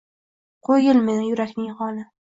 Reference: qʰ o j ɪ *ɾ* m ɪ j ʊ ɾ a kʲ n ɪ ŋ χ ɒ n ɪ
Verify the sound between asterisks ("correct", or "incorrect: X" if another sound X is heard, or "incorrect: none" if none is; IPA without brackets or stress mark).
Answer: incorrect: l